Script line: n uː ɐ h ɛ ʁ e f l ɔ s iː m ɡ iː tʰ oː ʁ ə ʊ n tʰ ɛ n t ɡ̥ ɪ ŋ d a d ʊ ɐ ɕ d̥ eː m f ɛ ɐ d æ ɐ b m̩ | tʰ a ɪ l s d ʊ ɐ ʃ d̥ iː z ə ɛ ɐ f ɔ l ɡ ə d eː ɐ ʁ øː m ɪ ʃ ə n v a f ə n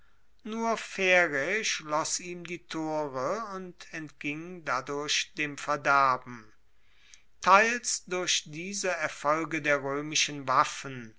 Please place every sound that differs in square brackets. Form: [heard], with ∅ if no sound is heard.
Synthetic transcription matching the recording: n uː ɐ [f] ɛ ʁ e [ʃ] l ɔ s iː m [d] iː tʰ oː ʁ ə ʊ n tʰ ɛ n t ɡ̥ ɪ ŋ d a d ʊ ɐ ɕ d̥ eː m f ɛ ɐ d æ ɐ b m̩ | tʰ a ɪ l s d ʊ ɐ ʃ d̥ iː z ə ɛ ɐ f ɔ l ɡ ə d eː ɐ ʁ øː m ɪ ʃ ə n v a f ə n